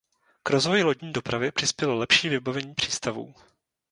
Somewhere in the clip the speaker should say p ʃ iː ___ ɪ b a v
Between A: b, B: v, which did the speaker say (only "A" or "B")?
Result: B